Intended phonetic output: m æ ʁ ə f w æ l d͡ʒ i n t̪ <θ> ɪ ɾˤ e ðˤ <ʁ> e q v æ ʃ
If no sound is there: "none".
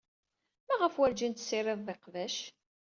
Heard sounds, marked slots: s, ð

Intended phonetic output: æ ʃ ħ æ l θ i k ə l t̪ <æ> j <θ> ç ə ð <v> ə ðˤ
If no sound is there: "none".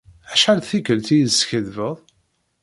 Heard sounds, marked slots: i, s, v

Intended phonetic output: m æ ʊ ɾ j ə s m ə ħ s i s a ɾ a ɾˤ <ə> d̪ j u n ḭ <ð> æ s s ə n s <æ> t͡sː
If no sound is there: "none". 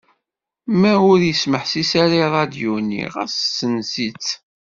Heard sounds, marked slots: ɑ, ʁ, i

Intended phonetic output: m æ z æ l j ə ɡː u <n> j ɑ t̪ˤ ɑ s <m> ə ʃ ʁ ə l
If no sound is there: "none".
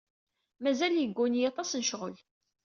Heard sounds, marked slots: n, n

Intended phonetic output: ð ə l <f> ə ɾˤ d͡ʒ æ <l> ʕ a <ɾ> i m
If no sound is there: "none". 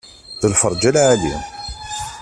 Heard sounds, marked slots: f, l, l

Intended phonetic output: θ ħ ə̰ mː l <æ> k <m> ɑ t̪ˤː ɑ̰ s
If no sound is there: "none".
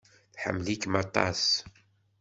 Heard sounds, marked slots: i, m

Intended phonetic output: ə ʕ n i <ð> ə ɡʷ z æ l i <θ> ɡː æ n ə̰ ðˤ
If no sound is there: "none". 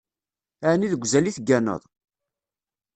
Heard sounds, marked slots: ð, θ

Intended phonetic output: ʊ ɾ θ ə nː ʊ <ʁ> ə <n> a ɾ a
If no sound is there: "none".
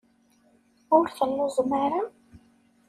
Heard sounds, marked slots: z, m

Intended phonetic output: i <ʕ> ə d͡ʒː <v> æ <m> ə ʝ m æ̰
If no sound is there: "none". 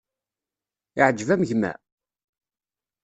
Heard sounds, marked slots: ʕ, v, m

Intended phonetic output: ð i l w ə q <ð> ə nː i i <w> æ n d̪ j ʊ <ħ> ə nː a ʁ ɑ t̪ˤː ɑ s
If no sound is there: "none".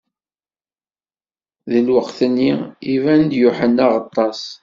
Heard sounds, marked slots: θ, v, ħ

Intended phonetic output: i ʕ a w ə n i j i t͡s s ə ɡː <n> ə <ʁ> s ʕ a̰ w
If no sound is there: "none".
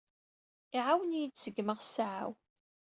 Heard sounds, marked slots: m, ʁ

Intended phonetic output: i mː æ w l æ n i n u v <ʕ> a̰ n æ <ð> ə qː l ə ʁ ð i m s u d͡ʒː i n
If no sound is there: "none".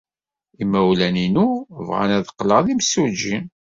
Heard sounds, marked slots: ʁ, ð

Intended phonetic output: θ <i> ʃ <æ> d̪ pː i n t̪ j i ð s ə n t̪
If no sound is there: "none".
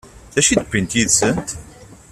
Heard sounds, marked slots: æ, i

